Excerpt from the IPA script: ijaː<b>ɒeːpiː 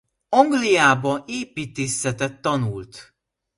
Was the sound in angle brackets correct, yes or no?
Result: yes